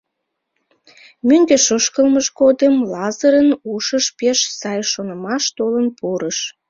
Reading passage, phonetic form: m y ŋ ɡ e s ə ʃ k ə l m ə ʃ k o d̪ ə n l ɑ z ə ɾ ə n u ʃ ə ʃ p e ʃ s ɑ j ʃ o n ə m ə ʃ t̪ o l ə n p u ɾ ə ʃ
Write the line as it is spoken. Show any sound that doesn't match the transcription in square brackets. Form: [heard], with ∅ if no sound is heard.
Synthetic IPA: m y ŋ ɡ e [ʃ] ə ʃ k ə l m ə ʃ k o d̪ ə [m] l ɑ z ə ɾ ə n u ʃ ə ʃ p e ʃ s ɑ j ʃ o n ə m [ɑ] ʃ t̪ o l ə n p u ɾ ə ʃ